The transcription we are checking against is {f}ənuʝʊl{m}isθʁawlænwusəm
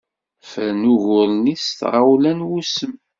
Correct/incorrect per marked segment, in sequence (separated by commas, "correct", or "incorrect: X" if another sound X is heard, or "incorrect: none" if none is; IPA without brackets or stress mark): correct, incorrect: n